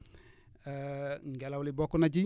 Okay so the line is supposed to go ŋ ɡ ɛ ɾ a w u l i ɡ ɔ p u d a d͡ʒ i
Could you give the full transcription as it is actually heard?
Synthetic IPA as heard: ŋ ɡ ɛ l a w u l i b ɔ k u n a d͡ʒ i